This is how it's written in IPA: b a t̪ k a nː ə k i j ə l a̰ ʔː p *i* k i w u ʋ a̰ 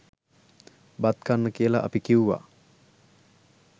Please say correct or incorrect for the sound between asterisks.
correct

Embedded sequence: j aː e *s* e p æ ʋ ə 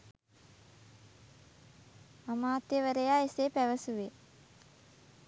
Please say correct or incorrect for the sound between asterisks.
correct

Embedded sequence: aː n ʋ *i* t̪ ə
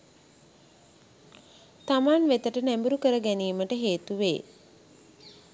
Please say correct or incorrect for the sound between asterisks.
incorrect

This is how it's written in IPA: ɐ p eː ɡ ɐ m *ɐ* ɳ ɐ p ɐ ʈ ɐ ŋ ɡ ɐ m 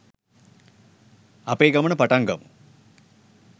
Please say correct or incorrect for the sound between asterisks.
correct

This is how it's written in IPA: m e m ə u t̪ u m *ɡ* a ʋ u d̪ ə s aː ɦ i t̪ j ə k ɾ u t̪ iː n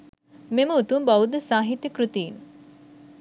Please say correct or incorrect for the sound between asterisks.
incorrect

